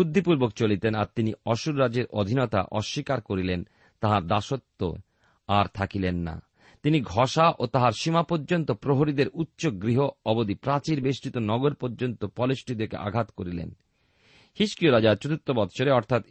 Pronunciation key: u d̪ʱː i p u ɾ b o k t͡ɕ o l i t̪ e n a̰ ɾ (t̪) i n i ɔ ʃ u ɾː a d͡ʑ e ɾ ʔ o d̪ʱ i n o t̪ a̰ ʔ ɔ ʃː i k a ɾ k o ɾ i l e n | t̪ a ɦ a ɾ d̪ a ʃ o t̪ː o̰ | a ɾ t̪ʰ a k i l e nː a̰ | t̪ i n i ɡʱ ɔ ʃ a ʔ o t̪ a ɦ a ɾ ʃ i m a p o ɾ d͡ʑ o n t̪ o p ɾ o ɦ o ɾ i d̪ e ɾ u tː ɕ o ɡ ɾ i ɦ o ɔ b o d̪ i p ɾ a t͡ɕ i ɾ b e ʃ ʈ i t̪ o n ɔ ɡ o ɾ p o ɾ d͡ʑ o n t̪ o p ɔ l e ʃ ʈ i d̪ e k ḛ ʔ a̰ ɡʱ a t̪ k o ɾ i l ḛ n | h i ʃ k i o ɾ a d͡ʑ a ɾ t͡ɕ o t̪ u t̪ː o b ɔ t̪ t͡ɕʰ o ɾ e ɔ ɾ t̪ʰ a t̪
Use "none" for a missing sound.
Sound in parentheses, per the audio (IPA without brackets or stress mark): t̪